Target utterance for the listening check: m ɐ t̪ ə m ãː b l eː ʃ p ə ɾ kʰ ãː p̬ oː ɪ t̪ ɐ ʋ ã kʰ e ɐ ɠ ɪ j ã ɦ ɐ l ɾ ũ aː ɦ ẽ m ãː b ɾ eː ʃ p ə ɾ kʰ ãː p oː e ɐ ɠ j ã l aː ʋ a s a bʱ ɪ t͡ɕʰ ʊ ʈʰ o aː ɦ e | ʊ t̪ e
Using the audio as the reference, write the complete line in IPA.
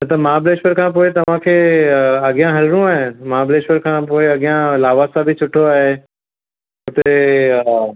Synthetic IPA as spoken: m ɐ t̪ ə m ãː b l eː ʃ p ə ɾ kʰ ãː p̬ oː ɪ t̪ ɐ ʋ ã kʰ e ɐ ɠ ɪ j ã ɦ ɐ l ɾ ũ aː ɦ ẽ m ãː b l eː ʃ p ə ɾ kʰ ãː p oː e ɐ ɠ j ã l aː ʋ a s a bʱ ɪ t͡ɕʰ ʊ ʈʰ o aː ɦ e | ʊ t̪ e